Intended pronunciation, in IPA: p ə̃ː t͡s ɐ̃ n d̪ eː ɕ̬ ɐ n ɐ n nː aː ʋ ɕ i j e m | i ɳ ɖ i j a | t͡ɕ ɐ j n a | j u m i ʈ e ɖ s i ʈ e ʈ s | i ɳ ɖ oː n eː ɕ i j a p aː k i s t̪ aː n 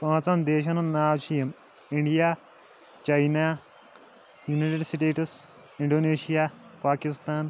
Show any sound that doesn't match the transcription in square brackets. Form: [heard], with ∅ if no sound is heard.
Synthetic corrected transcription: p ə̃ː t͡s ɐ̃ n d̪ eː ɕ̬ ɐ n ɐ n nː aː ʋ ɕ i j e m | i ɳ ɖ i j a | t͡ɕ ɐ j n a | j u [n] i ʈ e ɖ s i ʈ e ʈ s | i ɳ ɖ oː n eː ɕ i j a p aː k i s t̪ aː n